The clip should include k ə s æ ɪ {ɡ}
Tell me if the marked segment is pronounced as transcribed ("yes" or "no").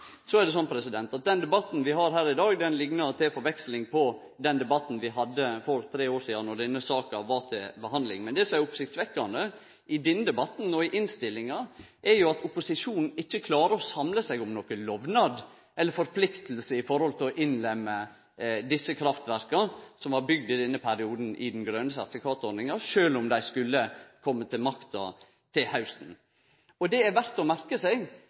yes